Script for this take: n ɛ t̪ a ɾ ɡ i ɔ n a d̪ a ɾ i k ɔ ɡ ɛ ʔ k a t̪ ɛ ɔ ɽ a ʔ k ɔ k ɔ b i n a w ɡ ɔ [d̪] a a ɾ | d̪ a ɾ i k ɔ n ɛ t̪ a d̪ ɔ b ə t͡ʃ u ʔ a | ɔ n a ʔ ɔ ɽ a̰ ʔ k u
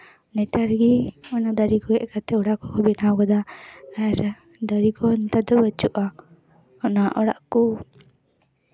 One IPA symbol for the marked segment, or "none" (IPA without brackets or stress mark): d̪